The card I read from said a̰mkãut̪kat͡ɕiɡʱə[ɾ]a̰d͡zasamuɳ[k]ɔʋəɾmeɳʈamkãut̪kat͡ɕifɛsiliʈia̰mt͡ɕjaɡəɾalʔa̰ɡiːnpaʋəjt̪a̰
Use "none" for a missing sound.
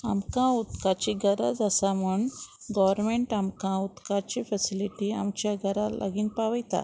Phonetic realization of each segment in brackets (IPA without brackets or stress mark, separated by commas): ɾ, ɡ